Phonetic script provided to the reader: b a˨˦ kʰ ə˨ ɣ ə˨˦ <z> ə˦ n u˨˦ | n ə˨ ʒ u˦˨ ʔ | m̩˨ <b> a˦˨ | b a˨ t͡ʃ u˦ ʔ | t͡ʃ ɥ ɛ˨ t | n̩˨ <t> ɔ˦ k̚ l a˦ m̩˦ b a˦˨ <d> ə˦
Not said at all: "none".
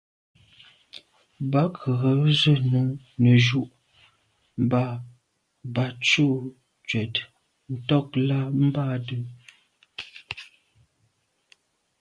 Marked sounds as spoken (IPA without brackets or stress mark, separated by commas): z, b, t, d